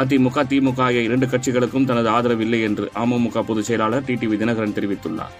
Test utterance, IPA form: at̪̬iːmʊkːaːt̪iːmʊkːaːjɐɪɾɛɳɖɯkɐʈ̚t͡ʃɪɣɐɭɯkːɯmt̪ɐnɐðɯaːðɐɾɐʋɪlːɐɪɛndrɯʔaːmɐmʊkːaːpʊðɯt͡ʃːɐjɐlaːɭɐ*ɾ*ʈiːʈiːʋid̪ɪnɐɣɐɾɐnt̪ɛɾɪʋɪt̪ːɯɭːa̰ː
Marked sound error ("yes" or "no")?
no